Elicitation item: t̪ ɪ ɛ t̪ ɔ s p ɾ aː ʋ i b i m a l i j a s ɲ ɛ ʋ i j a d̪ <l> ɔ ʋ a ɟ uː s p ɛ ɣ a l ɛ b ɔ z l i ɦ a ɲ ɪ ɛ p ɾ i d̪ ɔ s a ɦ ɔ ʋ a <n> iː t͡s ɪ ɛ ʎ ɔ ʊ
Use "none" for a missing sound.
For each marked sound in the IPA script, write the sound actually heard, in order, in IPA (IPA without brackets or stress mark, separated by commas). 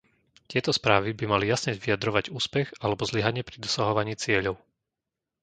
ɾ, ɲ